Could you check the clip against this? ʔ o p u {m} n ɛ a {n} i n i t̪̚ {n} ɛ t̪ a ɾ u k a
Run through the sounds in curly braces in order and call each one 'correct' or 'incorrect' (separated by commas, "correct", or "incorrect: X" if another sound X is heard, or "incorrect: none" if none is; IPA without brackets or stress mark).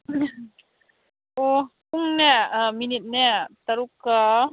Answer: incorrect: ŋ, incorrect: m, correct